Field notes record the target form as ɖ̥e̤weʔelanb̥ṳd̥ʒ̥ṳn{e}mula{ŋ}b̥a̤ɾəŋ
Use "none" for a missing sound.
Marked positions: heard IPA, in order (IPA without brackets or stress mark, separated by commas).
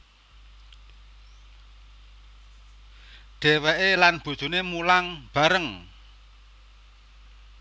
e, ŋ